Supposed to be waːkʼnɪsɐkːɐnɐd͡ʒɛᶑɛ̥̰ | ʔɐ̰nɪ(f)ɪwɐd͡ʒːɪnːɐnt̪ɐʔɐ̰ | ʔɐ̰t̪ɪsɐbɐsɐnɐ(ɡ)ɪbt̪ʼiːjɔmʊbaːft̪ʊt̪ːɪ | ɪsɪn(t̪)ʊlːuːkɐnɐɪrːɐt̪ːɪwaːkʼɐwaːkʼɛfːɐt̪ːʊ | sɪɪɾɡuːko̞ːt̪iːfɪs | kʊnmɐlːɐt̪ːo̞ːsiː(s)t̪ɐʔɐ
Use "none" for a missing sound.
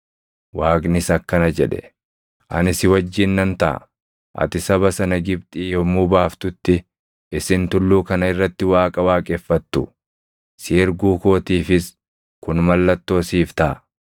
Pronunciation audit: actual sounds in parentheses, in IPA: s, ɡ, t̪, f

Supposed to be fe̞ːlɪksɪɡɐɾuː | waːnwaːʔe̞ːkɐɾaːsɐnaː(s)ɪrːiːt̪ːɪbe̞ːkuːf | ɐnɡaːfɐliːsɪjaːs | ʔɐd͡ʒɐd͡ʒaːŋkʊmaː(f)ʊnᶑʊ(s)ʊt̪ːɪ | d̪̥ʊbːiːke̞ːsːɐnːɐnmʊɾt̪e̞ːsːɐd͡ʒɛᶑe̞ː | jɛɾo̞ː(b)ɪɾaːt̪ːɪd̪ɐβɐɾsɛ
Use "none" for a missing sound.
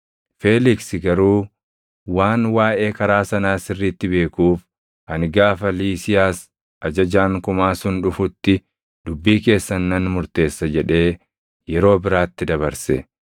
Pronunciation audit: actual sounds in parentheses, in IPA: s, s, f, b

